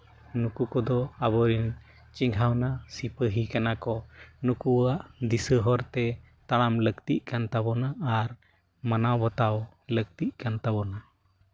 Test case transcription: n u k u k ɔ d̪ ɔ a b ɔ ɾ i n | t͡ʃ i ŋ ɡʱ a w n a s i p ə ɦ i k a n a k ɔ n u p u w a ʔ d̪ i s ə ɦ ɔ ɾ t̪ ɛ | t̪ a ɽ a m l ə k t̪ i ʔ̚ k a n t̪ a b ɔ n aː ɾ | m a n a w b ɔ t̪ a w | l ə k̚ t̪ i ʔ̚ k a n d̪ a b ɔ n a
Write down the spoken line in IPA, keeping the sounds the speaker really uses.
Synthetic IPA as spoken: n u k u k ɔ d̪ ɔ a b ɔ ɾ i n | t͡ʃ i ŋ ɡʱ a w n a s i p ə ɦ i k a n a k ɔ n u k u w a ʔ d̪ i s ə ɦ ɔ ɾ t̪ ɛ | t̪ a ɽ a m l ə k t̪ i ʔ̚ k a n t̪ a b ɔ n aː ɾ | m a n a w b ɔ t̪ a w | l ə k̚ t̪ i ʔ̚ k a n t̪ a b ɔ n a